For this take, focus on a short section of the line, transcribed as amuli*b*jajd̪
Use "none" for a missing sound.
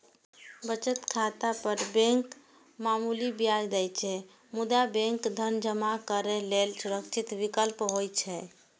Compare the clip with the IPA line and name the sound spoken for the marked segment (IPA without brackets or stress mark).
b